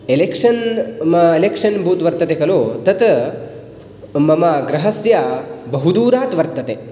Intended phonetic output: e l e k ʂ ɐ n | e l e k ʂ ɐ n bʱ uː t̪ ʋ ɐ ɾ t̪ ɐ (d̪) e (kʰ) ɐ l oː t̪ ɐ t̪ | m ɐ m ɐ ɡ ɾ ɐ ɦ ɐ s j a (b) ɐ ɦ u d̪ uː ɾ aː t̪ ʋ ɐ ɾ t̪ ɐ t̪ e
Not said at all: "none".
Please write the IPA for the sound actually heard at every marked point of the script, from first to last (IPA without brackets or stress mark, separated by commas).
t̪, k, b